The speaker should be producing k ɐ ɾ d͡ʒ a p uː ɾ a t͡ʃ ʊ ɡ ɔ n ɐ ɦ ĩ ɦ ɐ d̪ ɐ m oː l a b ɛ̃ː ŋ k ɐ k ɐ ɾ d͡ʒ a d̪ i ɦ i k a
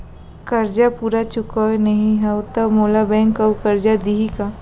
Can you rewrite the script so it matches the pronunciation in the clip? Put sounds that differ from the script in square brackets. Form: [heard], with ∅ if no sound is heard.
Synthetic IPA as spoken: k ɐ ɾ d͡ʒ a p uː ɾ a t͡ʃ ʊ [k] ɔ n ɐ ɦ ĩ ɦ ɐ [t̪] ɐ m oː l a b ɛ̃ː ŋ k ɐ k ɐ ɾ d͡ʒ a d̪ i ɦ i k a